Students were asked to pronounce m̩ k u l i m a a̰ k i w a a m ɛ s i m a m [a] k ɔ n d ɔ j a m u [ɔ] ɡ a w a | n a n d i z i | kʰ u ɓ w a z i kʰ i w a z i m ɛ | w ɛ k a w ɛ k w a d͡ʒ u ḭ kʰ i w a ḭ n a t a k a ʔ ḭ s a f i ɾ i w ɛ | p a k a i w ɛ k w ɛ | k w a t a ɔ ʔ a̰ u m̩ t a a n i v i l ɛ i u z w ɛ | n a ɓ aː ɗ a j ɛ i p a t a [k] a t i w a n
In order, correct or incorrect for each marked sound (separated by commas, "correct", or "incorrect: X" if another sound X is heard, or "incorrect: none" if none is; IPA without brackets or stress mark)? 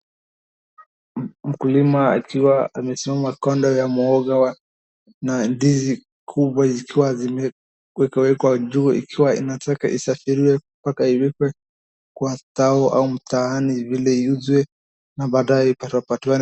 correct, correct, incorrect: p